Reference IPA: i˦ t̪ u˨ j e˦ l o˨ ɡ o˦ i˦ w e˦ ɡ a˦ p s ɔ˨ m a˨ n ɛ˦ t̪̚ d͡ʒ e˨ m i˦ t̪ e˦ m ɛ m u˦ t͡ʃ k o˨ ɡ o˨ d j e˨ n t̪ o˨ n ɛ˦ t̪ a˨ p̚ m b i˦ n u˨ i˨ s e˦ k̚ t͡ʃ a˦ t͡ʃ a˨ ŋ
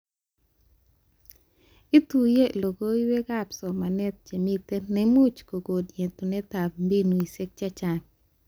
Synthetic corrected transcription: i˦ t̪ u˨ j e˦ l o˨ ɡ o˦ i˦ w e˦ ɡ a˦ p s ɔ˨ m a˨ n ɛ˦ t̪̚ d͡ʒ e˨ m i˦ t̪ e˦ n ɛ m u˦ t͡ʃ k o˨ ɡ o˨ d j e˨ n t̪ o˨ n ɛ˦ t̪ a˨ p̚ m b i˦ n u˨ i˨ s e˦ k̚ t͡ʃ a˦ t͡ʃ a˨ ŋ